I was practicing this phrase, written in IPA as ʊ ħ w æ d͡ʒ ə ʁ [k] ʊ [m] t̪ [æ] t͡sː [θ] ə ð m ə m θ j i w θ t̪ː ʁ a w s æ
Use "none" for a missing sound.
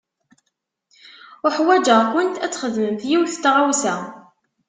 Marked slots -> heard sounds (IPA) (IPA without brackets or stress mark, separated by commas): k, n, æ, χ